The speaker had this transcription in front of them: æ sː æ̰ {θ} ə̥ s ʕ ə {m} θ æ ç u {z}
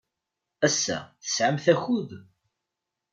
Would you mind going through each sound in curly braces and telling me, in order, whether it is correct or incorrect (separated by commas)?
correct, correct, incorrect